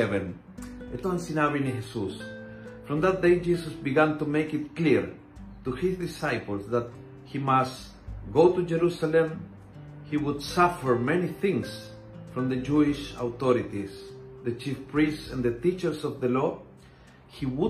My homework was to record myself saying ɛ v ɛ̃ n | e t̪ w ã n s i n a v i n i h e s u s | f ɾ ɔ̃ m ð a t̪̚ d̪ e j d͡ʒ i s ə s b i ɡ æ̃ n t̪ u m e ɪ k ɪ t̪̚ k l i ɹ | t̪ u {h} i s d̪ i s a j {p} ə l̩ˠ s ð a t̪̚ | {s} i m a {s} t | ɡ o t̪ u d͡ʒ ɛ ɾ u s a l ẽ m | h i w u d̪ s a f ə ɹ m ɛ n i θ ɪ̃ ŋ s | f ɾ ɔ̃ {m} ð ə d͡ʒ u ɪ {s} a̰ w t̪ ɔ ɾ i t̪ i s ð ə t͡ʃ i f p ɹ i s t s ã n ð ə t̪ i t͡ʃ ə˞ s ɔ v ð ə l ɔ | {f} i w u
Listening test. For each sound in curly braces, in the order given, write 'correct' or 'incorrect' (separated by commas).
correct, correct, incorrect, correct, correct, incorrect, incorrect